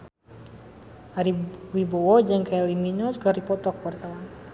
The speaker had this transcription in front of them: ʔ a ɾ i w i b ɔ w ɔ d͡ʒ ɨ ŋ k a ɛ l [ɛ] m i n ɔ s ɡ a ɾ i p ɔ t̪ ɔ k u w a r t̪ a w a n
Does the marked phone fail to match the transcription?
yes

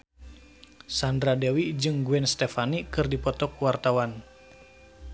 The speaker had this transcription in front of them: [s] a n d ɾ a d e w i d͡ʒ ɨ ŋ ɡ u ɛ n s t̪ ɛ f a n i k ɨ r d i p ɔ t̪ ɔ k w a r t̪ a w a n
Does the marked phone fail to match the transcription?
no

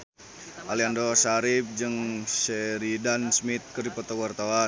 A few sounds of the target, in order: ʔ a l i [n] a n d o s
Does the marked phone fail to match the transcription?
yes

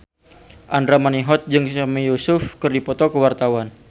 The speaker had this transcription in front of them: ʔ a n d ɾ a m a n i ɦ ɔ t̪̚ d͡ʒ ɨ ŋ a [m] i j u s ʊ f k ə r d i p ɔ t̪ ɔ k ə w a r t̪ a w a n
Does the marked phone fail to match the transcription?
no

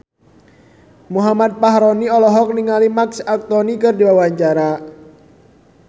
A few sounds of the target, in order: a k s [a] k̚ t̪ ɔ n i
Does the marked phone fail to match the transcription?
no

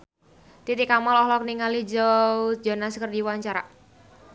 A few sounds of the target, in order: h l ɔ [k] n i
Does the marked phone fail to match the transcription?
no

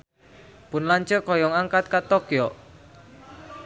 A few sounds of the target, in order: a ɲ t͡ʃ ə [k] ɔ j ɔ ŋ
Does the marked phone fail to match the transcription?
no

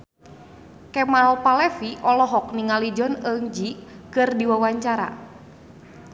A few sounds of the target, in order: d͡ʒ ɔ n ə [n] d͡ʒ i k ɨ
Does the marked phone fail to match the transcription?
yes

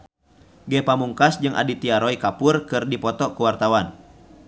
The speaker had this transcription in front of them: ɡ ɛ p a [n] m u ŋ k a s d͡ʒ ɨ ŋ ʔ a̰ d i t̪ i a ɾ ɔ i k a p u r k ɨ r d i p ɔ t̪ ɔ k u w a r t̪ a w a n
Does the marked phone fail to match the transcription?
yes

